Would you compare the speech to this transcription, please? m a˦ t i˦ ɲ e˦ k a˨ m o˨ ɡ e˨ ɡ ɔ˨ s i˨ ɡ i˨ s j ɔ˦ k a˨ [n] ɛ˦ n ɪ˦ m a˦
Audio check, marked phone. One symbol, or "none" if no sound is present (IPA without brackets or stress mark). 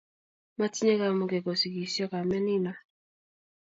m